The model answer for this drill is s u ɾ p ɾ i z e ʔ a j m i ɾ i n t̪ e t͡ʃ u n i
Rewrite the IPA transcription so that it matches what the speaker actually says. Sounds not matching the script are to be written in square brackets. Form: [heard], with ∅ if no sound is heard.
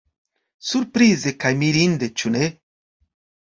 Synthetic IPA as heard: s u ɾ p ɾ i z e [k] a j m i ɾ i n [d̪] e t͡ʃ u n [e]